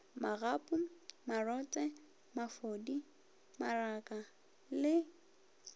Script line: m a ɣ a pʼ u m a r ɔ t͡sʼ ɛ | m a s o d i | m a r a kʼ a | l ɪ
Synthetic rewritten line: m a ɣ a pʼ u m a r ɔ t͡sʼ ɛ | m a f o d i | m a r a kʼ a | l ɪ